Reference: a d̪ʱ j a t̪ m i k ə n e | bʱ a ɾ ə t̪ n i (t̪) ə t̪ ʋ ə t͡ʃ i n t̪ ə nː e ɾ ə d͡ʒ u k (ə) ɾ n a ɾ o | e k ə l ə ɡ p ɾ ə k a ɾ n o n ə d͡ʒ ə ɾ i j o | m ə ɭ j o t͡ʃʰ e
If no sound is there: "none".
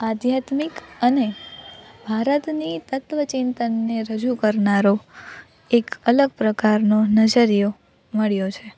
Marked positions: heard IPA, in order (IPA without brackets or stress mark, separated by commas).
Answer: t̪, ə